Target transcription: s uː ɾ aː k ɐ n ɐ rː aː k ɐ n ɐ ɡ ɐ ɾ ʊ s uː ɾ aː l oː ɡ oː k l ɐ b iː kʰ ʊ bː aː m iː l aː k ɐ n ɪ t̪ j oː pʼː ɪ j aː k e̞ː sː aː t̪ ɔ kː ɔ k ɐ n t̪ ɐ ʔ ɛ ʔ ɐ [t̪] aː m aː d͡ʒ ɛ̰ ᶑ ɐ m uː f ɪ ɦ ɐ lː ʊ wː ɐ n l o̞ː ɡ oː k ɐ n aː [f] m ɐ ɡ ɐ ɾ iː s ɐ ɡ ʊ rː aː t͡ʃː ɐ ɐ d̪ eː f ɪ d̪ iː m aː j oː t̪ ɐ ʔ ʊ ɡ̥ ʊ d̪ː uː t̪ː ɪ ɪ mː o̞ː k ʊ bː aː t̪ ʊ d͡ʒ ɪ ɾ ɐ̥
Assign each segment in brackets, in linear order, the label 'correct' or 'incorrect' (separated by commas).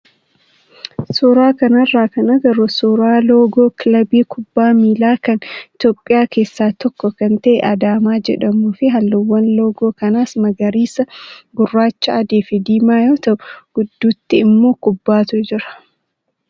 incorrect, incorrect